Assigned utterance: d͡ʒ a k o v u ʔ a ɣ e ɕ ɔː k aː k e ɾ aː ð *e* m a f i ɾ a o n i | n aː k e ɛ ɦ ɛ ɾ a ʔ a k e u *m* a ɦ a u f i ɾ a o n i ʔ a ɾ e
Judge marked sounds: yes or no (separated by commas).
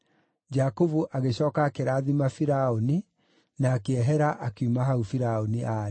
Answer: no, yes